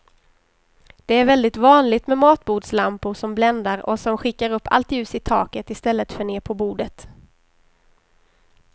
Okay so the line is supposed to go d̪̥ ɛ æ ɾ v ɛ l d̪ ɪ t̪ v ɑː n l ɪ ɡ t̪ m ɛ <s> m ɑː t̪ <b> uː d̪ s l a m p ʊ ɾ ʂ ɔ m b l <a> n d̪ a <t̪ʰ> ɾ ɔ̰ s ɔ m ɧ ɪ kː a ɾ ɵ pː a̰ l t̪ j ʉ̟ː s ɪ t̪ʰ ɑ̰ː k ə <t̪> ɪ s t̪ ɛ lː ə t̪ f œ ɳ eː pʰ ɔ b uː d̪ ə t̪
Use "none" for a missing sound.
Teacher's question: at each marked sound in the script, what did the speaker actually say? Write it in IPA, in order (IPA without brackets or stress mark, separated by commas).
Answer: none, b, ɛ, none, t̪